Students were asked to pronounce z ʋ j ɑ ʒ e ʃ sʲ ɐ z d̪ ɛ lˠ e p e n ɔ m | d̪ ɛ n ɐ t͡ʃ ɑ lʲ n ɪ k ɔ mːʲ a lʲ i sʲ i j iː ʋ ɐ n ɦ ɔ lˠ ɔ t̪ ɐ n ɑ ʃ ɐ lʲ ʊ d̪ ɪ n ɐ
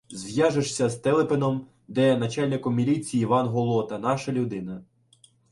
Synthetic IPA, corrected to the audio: z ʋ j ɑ ʒ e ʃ sʲ ɐ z t̪ ɛ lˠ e p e n ɔ m | d̪ ɛ n ɐ t͡ʃ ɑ lʲ n ɪ k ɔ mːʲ i lʲ i t͡sʲ i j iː ʋ ɑ n ɦ ɔ lˠ ɔ t̪ ɐ n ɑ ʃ ɐ lʲ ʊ d̪ ɪ n ɐ